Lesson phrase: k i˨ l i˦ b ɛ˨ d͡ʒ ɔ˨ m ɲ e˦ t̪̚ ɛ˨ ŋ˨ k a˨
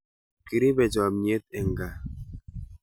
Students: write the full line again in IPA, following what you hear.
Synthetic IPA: k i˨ ɾ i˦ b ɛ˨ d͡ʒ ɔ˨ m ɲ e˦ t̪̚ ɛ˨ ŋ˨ ɡ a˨